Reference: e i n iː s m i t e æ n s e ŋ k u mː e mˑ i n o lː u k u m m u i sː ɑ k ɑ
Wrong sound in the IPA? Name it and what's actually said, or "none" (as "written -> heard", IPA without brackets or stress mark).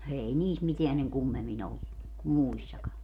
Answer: none